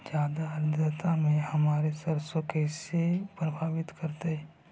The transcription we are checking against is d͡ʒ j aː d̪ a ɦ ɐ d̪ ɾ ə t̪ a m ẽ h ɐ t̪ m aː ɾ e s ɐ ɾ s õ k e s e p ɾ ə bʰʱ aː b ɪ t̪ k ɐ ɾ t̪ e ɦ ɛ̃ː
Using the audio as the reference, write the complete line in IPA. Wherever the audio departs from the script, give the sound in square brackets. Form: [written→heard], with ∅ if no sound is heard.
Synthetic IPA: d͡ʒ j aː d̪ a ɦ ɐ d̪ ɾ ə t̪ a m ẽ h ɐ [t̪→∅] m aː ɾ e s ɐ ɾ s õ k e s e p ɾ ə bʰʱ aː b ɪ t̪ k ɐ ɾ t̪ e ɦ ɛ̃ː